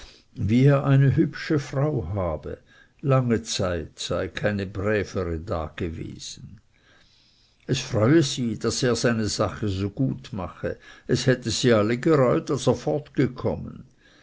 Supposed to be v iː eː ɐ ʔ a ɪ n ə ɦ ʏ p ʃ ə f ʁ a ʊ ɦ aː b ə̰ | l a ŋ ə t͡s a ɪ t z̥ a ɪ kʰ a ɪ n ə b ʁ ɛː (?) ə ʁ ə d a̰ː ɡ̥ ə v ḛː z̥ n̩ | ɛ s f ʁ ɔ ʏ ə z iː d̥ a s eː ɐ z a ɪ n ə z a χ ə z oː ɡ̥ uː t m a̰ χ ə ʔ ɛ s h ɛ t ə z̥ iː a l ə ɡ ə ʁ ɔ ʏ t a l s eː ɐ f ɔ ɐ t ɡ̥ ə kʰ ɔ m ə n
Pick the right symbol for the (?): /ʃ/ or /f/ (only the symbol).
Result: f